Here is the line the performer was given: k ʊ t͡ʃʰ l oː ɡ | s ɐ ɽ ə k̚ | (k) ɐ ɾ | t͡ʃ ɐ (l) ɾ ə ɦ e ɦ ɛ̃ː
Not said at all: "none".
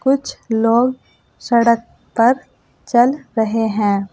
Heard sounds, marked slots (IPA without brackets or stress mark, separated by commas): p, l